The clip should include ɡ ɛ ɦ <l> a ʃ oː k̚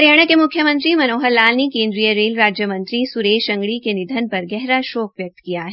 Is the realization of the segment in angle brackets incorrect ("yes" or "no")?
yes